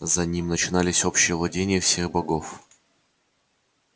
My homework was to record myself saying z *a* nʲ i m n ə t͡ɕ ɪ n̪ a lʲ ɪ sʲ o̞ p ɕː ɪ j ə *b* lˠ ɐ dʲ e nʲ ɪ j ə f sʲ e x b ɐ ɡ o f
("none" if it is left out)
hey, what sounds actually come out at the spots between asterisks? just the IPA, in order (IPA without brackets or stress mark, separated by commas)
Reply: ɐ, v